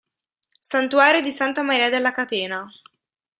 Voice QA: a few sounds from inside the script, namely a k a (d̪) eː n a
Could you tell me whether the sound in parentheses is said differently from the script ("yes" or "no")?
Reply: yes